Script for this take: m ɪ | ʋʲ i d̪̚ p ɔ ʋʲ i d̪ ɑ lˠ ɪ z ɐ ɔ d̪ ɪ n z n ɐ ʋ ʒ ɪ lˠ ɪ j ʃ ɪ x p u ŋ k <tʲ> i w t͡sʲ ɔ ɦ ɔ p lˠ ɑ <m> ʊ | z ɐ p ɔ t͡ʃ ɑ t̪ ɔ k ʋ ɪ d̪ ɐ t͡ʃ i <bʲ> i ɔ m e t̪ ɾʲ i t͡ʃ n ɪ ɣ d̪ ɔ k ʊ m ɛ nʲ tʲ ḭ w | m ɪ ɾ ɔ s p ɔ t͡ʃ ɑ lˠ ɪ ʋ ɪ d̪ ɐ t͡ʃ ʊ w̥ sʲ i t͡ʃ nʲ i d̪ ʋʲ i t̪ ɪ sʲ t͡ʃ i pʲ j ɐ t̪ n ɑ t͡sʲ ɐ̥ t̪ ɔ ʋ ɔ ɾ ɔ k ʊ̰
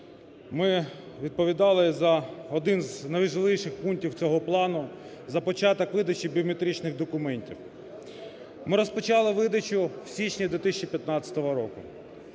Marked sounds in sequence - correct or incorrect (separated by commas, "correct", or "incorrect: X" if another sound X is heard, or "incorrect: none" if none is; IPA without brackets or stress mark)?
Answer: correct, incorrect: n, correct